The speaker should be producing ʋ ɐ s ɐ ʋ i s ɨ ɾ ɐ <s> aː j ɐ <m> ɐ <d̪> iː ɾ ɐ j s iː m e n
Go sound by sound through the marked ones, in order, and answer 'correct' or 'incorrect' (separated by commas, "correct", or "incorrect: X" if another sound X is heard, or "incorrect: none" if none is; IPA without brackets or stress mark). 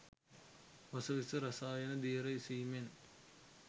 correct, incorrect: n, correct